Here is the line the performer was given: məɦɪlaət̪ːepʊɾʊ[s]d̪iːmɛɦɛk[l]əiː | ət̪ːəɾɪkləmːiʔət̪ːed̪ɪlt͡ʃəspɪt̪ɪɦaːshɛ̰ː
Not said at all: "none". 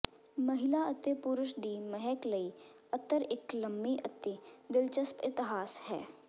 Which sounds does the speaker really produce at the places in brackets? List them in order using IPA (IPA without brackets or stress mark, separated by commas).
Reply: ʃ, l